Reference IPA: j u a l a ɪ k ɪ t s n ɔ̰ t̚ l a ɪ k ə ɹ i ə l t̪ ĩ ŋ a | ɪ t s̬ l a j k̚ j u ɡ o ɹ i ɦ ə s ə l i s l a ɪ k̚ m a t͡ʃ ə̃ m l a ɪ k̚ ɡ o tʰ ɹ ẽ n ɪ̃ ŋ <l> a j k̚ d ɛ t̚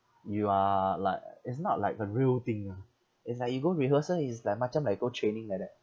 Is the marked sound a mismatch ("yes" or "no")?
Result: no